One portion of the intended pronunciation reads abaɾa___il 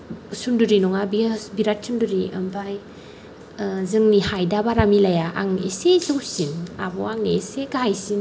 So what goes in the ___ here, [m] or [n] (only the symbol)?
m